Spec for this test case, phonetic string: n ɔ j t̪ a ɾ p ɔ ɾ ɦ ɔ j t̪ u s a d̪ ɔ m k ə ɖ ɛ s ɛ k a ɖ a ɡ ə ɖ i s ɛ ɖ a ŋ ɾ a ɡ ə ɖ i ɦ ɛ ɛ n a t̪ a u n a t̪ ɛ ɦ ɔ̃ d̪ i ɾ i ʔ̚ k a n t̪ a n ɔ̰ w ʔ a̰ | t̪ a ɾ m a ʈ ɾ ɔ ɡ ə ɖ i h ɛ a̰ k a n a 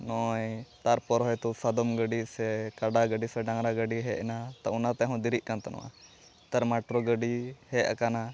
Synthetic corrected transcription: n ɔ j t̪ a ɾ p ɔ ɾ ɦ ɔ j t̪ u s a d̪ ɔ m ɡ ə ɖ i s ɛ k a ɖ a ɡ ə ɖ i s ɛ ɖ a ŋ ɾ a ɡ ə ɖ i ɦ ɛ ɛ n a t̪ a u n a t̪ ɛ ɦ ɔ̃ d̪ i ɾ i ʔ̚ k a n t̪ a n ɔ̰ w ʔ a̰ | t̪ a ɾ m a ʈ ɾ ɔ ɡ ə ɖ i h ɛ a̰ k a n a